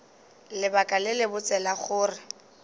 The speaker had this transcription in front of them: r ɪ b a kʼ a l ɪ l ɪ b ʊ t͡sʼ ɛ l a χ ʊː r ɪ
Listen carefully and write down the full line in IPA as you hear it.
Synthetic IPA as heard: l ɪ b a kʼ a l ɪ l ɪ b ʊ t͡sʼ ɛ l a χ ʊː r ɪ